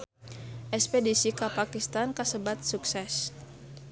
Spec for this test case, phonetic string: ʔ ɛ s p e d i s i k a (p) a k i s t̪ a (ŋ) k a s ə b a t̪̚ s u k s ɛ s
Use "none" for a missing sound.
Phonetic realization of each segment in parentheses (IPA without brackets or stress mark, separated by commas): p, n